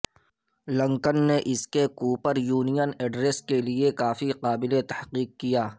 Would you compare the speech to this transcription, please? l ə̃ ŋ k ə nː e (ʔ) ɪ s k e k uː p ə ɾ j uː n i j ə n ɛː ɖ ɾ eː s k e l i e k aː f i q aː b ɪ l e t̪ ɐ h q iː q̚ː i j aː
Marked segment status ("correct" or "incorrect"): correct